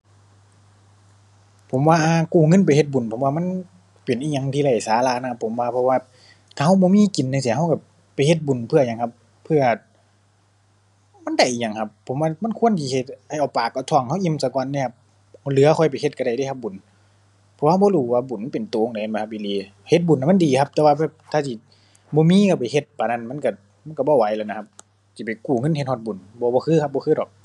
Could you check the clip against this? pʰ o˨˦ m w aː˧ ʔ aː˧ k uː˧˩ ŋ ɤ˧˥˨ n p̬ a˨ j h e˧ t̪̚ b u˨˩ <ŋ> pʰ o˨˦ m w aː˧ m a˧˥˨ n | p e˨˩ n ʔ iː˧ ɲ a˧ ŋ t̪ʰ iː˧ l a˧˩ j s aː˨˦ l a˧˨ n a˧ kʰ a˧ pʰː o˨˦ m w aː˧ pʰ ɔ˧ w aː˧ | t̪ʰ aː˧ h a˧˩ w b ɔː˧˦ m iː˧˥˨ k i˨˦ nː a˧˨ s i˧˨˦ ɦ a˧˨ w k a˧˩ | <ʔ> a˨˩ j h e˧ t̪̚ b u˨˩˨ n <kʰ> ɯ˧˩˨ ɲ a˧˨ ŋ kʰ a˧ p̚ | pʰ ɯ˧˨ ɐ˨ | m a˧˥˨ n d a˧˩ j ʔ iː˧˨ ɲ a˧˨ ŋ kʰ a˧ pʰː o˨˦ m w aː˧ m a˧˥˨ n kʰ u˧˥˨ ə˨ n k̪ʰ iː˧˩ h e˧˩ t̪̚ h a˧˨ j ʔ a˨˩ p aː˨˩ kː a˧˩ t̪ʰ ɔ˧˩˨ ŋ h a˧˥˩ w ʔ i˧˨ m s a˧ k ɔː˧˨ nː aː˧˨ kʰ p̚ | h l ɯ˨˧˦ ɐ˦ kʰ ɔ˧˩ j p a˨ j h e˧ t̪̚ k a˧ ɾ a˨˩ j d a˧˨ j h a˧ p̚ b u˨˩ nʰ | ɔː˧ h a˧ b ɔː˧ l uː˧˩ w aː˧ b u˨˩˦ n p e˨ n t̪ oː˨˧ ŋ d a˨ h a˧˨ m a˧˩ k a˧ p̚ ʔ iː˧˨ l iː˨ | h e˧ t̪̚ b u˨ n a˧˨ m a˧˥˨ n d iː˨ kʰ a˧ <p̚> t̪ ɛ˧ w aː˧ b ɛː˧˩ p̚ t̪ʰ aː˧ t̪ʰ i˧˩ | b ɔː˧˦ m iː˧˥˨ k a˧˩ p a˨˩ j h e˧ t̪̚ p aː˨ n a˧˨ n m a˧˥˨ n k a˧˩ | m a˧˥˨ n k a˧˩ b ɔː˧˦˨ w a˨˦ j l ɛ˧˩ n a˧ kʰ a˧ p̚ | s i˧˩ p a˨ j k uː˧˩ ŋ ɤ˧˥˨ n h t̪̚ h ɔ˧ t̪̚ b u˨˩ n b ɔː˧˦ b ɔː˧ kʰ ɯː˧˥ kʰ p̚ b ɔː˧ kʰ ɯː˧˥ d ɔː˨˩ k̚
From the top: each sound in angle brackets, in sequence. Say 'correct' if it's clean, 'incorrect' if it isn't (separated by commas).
incorrect, incorrect, incorrect, correct